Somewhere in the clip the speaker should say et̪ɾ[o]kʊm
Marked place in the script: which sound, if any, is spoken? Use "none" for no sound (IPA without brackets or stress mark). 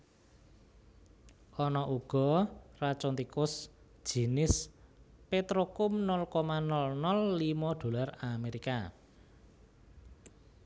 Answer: o